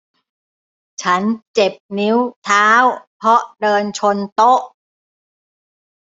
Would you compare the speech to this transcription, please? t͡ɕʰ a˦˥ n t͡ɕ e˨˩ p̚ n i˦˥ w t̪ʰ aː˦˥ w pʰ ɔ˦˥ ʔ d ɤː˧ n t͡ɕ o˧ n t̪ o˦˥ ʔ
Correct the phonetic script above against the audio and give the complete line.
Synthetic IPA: t͡ɕʰ a˦˥ n t͡ɕ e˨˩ p̚ n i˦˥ w t̪ʰ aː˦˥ w pʰ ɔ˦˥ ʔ d ɤː˧ n t͡ɕʰ o˧ n t̪ o˦˥ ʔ